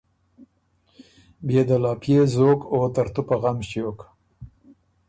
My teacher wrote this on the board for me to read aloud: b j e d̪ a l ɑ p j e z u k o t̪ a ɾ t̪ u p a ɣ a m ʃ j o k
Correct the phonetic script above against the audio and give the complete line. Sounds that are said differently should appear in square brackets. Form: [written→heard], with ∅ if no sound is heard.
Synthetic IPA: b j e d̪ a l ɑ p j e z [u→o] k o t̪ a ɾ t̪ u p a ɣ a m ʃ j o k